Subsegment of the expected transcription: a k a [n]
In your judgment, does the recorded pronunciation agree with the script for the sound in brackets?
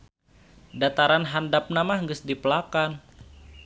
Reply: yes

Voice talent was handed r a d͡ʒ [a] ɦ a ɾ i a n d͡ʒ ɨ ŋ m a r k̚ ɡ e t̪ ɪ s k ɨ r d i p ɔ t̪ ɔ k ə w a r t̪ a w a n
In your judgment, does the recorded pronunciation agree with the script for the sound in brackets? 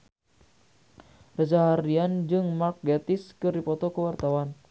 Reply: yes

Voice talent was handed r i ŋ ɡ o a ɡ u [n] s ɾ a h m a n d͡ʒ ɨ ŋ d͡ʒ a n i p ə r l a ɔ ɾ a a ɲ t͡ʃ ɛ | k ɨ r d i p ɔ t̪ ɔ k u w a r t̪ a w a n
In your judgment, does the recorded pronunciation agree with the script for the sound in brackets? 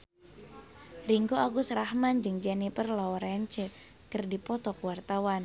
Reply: no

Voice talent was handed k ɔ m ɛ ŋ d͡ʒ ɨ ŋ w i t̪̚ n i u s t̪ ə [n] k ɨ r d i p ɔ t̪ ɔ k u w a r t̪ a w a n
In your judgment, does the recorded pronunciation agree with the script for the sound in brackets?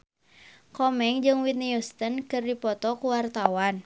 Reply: yes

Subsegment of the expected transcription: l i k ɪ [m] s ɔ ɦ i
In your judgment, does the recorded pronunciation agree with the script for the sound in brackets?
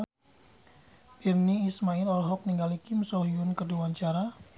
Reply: yes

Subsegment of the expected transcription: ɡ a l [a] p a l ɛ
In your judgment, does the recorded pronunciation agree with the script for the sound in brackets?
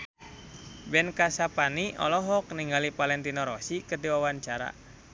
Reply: no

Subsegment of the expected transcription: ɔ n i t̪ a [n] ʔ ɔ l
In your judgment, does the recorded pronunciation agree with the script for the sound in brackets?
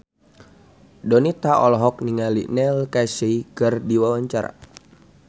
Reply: no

